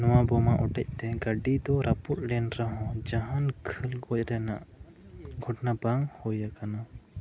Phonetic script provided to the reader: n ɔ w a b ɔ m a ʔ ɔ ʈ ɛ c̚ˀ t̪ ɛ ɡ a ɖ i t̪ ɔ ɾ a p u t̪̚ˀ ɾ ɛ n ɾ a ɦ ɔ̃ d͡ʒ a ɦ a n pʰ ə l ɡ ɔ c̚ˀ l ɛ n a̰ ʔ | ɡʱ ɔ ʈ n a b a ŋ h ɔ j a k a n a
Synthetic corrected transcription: n ɔ w a b ɔ m a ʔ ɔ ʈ ɛ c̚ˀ t̪ ɛ ɡ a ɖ i d̪ ɔ ɾ a p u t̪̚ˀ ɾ ɛ n ɾ a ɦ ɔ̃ d͡ʒ a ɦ a n kʰ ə l ɡ ɔ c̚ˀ ɾ ɛ n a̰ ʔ | ɡʱ ɔ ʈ n a b a ŋ h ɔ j a k a n a